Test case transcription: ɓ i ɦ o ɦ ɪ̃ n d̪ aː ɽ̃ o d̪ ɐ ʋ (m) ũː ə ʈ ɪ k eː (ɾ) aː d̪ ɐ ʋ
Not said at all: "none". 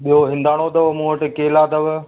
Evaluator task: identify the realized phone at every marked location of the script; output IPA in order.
m, l

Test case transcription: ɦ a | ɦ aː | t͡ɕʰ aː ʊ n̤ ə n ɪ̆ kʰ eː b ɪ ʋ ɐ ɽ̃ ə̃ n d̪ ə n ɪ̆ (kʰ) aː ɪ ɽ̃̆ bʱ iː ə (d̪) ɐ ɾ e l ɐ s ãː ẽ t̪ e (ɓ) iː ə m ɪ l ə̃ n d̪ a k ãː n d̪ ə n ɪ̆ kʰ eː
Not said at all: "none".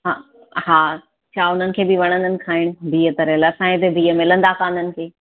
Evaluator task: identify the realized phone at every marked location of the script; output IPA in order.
kʰ, t̪, b

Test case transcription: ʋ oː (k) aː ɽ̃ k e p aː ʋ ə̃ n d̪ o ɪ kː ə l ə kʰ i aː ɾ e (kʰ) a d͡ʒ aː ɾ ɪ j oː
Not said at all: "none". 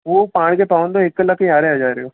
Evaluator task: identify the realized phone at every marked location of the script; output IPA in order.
p, none

